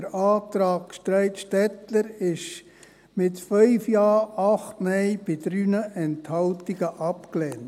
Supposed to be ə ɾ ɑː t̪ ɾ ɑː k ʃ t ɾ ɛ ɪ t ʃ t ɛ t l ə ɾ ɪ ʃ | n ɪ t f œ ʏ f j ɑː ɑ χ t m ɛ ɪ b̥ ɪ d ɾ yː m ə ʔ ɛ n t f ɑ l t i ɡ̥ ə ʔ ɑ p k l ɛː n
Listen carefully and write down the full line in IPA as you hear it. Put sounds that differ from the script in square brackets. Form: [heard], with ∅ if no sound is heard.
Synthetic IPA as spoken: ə ɾ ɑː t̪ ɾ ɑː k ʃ t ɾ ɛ ɪ t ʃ t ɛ t l ə ɾ ɪ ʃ | [m] ɪ t f œ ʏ f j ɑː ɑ χ t m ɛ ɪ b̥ ɪ d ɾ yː [n] ə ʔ ɛ n t [h] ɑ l t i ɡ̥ ə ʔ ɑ p k l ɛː n